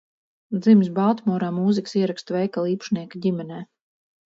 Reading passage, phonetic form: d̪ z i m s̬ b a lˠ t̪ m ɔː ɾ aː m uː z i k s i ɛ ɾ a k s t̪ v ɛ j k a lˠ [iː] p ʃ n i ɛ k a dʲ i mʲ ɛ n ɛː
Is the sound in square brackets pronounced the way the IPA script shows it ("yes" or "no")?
yes